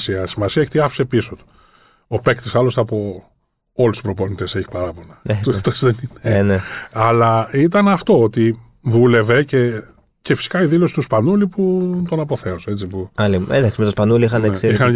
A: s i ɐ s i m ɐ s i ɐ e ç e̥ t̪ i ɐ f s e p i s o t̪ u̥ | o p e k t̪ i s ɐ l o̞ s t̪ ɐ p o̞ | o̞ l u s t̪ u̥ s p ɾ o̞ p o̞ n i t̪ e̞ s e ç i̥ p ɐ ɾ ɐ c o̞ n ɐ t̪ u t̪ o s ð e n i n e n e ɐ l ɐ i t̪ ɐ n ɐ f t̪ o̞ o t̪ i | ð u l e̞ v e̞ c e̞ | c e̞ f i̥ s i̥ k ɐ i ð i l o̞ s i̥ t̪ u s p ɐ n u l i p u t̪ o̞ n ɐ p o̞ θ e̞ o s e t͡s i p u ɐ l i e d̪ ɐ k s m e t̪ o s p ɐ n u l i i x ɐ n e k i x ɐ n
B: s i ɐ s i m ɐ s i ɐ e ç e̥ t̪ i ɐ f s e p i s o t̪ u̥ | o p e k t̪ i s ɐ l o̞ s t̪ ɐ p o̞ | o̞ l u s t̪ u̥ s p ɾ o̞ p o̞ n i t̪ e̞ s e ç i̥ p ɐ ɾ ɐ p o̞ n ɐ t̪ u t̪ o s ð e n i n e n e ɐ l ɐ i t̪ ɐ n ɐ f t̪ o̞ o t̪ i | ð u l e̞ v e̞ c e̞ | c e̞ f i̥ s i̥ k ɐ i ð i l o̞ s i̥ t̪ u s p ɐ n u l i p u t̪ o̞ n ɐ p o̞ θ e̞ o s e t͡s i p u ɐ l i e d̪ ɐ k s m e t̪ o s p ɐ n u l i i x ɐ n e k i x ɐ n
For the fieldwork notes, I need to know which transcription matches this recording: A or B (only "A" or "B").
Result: B